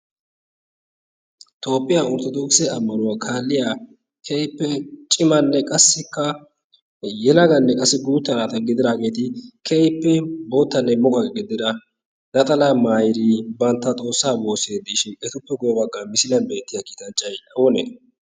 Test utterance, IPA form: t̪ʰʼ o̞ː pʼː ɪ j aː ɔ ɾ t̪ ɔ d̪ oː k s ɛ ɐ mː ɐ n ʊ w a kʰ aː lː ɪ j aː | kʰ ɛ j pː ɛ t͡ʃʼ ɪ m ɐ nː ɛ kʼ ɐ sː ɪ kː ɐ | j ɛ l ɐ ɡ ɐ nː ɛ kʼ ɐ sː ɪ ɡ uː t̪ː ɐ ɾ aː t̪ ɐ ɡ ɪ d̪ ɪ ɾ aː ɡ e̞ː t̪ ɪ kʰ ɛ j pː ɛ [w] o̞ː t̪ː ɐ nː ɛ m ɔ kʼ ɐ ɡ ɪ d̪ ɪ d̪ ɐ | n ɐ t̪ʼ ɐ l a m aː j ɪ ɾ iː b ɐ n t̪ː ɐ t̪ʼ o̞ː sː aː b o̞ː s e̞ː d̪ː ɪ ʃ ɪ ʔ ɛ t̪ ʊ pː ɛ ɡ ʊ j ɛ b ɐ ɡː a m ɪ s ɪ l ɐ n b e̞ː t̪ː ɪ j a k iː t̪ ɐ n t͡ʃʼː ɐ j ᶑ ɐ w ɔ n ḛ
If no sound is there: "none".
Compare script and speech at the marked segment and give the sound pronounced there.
b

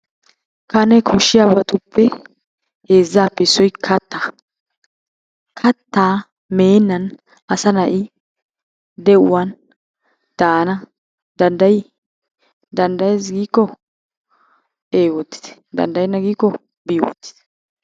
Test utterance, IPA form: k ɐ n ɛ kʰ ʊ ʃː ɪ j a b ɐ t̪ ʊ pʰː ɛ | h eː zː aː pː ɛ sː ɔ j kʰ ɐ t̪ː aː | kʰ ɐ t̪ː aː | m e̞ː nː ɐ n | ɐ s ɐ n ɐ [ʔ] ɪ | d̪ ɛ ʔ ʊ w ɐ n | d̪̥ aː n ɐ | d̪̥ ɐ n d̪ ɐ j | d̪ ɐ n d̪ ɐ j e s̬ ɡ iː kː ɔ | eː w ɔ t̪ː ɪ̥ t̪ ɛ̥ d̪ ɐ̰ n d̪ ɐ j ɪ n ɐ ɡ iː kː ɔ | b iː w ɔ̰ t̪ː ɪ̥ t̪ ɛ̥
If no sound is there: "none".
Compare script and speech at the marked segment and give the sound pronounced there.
ʔ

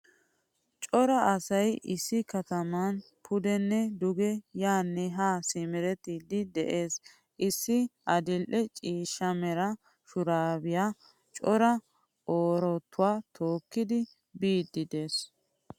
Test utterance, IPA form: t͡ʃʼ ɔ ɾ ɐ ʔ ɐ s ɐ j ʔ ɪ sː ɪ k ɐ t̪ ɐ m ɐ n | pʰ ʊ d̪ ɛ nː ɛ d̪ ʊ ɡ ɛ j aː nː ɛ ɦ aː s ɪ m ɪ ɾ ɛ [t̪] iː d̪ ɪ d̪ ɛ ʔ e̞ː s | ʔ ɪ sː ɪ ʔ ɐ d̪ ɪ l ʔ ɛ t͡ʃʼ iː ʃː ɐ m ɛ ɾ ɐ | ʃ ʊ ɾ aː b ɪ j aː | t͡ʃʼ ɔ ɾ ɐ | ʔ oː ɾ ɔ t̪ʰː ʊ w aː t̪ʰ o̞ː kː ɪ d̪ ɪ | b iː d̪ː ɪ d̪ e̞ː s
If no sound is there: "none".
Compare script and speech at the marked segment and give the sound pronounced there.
t̪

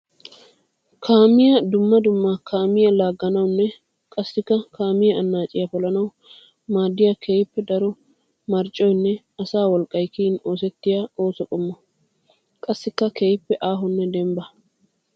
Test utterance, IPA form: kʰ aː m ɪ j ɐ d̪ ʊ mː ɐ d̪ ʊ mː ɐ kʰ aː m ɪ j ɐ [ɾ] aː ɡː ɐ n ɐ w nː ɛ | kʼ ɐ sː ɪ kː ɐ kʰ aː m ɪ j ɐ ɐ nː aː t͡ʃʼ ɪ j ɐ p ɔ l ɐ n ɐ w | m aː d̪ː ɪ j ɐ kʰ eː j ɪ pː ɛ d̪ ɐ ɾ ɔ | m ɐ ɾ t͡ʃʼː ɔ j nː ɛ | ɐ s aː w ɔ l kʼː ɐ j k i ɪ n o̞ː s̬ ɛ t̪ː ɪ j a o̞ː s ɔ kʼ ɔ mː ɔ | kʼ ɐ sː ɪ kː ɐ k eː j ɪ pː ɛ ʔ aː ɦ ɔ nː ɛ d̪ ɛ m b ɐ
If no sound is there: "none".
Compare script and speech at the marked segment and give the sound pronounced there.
l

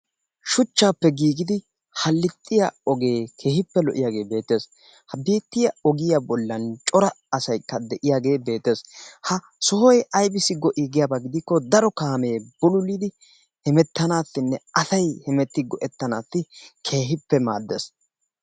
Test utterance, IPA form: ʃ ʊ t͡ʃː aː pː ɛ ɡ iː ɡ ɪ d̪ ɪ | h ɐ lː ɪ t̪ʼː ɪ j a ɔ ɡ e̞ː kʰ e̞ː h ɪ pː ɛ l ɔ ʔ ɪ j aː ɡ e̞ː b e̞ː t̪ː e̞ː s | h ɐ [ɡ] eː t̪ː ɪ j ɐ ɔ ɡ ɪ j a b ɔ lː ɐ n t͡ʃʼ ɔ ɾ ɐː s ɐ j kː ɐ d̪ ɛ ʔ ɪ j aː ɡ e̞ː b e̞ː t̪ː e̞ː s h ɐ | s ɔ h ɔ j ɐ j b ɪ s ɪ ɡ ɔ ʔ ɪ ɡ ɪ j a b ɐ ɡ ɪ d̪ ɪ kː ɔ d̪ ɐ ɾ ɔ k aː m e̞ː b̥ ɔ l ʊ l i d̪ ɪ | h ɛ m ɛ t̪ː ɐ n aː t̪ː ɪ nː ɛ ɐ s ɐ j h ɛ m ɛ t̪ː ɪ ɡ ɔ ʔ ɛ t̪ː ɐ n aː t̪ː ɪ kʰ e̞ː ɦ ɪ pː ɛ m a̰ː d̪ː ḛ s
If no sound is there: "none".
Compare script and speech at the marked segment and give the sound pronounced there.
b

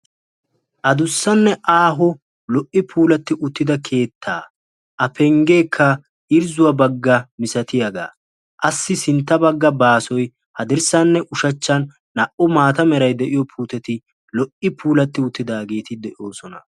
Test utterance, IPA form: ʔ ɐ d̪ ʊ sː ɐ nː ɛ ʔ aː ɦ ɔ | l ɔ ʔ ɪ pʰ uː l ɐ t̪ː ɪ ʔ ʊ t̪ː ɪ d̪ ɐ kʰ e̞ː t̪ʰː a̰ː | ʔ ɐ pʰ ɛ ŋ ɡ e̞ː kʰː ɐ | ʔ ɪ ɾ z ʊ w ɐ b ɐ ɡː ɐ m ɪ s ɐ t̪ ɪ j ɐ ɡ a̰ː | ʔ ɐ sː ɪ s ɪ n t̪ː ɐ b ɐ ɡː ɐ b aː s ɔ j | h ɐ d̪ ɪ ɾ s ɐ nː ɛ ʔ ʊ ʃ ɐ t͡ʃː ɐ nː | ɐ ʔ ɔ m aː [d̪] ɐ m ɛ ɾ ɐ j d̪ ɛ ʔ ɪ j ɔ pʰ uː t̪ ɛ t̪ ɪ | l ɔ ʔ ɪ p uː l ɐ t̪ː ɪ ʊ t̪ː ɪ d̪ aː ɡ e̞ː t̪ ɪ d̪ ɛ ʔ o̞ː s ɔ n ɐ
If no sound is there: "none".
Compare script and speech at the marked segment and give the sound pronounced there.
t̪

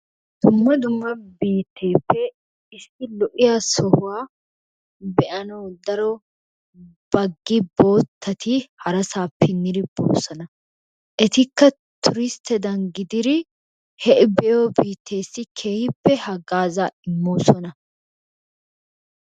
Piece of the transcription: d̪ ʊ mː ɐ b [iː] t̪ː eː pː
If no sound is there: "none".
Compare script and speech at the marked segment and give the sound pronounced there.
iː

